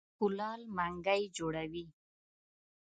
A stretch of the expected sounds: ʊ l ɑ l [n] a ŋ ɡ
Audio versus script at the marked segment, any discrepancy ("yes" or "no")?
yes